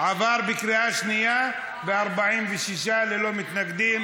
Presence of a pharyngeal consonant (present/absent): present